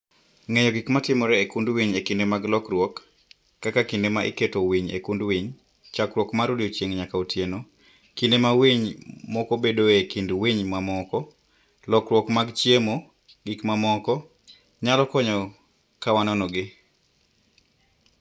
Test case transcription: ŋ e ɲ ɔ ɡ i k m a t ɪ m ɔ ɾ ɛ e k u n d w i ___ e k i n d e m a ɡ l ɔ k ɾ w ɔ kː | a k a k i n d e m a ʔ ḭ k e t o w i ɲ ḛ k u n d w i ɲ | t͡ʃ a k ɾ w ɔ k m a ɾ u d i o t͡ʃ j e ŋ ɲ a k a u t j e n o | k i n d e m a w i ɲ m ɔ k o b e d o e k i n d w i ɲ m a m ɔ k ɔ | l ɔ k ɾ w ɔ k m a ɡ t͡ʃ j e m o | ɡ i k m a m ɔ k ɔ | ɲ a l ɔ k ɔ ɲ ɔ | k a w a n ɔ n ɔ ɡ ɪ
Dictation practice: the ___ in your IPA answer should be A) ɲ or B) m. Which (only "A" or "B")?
A